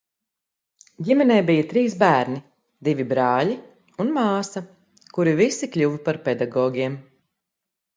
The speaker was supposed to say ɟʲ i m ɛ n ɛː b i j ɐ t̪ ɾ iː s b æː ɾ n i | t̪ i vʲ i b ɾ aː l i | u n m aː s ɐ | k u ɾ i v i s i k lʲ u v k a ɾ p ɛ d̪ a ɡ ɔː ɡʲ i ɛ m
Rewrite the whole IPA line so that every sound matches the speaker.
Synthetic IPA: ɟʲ i m ɛ n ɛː b i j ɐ t̪ ɾ iː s b æː ɾ n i | d̪ i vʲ i b ɾ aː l i | u n m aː s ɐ | k u ɾ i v i s i k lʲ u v p a ɾ p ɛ d̪ a ɡ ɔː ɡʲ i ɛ m